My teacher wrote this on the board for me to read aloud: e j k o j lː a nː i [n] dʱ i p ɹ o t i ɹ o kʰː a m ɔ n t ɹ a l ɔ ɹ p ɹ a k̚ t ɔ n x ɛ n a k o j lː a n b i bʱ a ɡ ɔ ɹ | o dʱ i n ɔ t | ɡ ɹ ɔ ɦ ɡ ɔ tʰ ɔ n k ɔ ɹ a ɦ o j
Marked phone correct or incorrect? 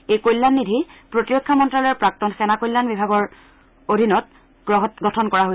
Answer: incorrect